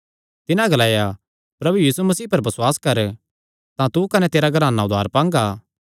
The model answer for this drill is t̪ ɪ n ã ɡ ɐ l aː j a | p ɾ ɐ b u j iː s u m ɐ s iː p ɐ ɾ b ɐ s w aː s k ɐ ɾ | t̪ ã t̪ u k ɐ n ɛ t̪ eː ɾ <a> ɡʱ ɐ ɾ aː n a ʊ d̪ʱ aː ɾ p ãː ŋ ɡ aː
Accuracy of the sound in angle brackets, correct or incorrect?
correct